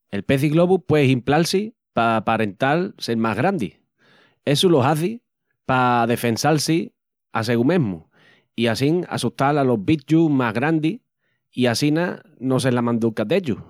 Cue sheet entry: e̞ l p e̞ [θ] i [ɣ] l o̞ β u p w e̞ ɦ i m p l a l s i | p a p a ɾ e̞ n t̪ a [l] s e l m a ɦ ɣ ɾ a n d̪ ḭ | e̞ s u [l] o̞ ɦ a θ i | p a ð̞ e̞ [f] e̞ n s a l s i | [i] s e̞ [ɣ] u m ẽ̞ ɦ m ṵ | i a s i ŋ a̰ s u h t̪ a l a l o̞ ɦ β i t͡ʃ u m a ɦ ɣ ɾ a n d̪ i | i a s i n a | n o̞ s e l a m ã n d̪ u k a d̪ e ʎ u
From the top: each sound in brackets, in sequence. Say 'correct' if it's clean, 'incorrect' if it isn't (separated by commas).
correct, correct, correct, correct, correct, incorrect, correct